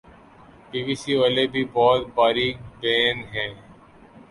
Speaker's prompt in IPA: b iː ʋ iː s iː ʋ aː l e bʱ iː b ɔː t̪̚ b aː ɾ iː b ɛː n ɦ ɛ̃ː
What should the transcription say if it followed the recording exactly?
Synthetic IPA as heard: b iː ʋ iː s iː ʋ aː l e bʱ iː b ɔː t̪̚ b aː ɾ iː b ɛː n ɦ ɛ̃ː